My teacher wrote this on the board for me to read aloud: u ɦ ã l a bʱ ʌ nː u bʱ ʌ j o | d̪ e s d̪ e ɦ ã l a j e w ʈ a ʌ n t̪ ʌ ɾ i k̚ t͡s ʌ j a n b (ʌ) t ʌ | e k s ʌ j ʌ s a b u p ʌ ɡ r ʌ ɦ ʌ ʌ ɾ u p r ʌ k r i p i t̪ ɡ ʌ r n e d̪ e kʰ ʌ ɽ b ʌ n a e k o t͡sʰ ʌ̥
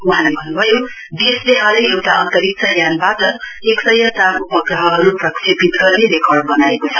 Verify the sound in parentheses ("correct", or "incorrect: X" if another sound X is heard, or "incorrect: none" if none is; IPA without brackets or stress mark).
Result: incorrect: a